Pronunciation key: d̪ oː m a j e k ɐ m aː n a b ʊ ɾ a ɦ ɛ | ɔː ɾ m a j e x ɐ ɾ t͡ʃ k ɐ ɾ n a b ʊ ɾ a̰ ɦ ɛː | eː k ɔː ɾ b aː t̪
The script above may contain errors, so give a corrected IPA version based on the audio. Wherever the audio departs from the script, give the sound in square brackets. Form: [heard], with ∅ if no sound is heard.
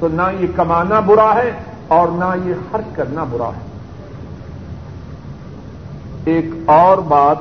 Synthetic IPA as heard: [t̪] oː [n] a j e k ɐ m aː n a b ʊ ɾ a ɦ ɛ | ɔː ɾ [n] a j e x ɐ ɾ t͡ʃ k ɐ ɾ n a b ʊ ɾ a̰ ɦ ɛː | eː k ɔː ɾ b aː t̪